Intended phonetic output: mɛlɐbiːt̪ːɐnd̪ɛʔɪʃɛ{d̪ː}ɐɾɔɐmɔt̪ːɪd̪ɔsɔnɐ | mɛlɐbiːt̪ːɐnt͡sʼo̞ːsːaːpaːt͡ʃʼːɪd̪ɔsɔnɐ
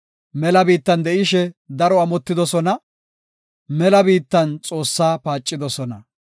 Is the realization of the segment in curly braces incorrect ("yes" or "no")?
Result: yes